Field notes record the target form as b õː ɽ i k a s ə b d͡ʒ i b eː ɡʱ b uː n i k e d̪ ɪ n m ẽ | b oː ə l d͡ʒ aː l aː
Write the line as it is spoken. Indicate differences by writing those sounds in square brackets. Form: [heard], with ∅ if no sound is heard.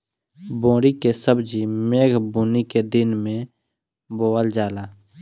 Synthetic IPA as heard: b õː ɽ i k [e] s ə b d͡ʒ i [m] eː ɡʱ b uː n i k e d̪ ɪ n m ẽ | b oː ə l d͡ʒ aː l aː